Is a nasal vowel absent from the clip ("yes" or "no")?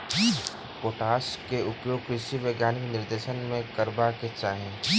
no